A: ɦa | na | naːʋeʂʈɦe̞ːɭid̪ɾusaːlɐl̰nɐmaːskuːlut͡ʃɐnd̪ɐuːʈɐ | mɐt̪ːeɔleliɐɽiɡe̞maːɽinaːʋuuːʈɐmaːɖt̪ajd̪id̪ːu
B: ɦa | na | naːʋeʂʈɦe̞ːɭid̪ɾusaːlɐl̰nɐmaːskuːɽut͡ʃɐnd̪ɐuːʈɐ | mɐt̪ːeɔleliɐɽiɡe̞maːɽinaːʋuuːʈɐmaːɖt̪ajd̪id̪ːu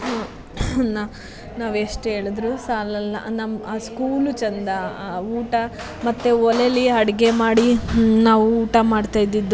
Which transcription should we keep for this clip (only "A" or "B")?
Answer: A